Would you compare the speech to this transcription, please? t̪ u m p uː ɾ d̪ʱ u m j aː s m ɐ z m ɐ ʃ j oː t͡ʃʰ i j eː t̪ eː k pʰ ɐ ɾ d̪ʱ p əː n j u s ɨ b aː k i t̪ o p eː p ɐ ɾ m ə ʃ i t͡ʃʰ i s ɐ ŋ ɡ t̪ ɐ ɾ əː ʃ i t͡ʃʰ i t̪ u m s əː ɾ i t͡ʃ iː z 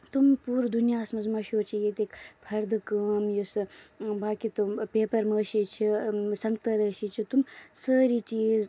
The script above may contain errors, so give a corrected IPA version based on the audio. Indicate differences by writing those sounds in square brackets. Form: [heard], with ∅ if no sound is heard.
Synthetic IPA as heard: t̪ u m p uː ɾ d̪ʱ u [n] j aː s m ɐ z m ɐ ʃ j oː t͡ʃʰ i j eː t̪ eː k pʰ ɐ ɾ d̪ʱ [k] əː [m] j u s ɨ b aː k i t̪ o p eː p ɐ ɾ m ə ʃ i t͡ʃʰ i s ɐ ŋ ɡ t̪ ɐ ɾ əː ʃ i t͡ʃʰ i t̪ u m s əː ɾ i t͡ʃ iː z